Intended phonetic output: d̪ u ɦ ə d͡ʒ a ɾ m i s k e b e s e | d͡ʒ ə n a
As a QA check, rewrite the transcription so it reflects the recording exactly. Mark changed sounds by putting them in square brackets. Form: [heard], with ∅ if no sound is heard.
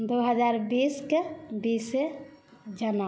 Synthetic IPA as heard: d̪ [o] ɦ ə d͡ʒ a ɾ [b] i s k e b [i] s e | d͡ʒ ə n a